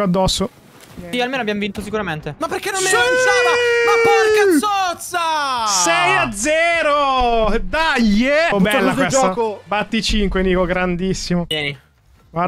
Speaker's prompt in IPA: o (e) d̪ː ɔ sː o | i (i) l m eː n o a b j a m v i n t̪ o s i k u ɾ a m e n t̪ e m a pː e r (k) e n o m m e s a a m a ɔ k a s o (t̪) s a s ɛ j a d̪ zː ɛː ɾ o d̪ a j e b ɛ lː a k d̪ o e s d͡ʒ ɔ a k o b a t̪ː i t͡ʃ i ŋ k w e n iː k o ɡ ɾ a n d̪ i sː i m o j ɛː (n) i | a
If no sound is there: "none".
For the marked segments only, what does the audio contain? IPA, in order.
a, a, k, t̪, n

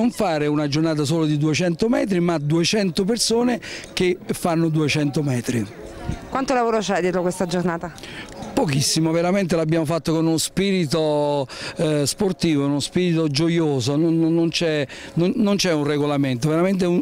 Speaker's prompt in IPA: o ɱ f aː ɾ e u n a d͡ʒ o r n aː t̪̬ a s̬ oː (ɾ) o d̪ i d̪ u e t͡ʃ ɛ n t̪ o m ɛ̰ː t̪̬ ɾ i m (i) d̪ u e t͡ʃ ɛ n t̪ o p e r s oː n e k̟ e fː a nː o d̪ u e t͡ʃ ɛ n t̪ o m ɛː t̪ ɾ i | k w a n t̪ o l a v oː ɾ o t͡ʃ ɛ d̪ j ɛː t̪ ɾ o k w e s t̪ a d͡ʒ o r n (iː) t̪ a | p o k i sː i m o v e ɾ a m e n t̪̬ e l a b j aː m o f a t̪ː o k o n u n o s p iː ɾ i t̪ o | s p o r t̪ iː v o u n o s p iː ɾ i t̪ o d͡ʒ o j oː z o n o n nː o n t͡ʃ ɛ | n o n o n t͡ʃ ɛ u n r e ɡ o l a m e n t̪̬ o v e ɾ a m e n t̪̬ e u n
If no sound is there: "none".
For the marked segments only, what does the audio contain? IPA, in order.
l, a, aː

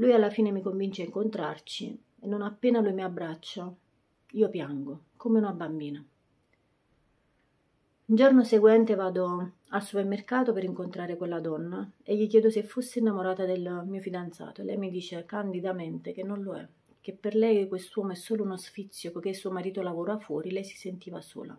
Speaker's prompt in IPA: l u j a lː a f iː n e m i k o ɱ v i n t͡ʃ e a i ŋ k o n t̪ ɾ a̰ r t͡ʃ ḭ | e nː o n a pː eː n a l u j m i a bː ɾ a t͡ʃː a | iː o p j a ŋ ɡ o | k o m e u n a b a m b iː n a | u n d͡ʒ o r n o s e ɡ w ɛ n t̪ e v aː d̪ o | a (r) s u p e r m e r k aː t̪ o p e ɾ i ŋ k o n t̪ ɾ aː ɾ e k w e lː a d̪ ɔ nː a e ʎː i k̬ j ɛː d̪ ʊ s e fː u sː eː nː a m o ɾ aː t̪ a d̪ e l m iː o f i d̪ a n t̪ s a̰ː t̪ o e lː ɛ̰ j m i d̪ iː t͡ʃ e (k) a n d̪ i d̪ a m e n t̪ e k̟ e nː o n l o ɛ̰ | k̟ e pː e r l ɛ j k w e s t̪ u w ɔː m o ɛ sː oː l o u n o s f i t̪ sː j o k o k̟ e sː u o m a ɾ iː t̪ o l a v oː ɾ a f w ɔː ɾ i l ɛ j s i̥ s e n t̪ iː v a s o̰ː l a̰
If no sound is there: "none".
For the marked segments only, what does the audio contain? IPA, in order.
l, k

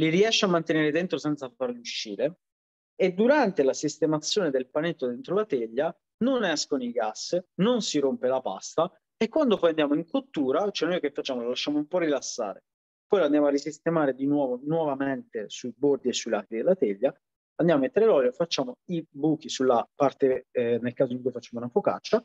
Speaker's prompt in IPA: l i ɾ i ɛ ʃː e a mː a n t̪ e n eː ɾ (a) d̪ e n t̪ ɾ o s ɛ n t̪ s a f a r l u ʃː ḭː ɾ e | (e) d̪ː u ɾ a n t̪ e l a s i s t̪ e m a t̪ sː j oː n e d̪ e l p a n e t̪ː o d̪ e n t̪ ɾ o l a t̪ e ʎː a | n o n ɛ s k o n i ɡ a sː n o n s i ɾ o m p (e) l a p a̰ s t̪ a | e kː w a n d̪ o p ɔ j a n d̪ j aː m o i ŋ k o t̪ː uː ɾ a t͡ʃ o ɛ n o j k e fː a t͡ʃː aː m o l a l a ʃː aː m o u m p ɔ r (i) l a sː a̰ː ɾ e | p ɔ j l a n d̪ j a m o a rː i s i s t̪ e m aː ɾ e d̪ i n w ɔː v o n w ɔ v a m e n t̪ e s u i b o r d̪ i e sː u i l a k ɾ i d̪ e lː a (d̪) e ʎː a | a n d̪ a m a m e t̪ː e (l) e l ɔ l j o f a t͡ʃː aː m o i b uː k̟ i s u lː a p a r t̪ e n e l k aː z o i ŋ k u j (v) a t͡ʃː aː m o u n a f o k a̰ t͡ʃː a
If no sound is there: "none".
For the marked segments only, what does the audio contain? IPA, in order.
e, e, e, i, t̪, ɾ, f

